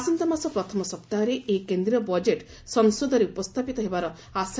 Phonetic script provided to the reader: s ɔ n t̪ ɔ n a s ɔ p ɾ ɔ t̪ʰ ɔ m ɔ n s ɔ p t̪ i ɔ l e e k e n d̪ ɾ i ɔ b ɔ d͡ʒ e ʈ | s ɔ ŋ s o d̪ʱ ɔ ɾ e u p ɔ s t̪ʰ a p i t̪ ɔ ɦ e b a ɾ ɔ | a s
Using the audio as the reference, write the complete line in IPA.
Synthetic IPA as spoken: s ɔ n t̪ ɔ m a s ɔ p ɾ ɔ t̪ʰ ɔ m ɔ s ɔ p t̪ a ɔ ɾ e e k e n d̪ ɾ i ɔ b ɔ d͡ʒ e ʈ | s ɔ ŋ s o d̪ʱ ɔ ɾ e u p ɔ s t̪ʰ a p i t̪ ɔ ɦ e b a ɾ ɔ | a s